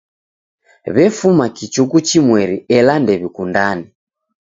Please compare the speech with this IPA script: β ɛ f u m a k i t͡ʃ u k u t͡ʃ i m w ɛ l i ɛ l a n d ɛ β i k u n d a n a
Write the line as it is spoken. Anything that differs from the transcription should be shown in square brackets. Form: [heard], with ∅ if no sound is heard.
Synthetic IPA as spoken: β ɛ f u m a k i t͡ʃ u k u t͡ʃ i m w ɛ [ɾ] i ɛ l a n d ɛ β i k u n d a n [i]